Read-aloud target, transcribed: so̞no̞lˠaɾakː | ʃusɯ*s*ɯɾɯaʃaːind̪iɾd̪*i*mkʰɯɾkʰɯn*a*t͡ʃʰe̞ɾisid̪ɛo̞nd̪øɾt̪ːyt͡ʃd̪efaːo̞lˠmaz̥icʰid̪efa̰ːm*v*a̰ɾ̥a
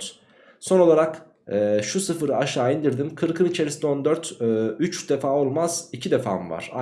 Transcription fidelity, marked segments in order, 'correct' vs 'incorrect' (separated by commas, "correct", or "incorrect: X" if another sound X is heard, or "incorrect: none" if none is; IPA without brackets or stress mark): incorrect: f, correct, incorrect: i, correct